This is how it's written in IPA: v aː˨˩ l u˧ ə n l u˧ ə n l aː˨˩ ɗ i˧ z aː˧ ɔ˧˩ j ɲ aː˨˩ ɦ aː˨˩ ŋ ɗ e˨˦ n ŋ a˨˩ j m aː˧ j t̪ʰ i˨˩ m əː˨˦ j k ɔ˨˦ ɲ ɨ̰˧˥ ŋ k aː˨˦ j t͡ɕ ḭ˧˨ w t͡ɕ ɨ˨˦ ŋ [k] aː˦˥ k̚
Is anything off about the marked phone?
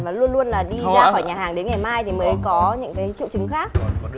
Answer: yes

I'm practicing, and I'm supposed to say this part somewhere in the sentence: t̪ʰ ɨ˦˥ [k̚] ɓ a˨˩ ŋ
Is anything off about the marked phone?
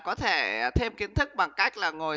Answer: no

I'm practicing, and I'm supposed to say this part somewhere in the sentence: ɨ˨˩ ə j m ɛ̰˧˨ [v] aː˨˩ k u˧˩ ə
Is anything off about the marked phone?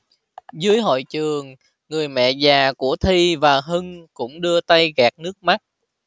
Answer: yes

